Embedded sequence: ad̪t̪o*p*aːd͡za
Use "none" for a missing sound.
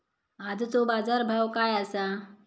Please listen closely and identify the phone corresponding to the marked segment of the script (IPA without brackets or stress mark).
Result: b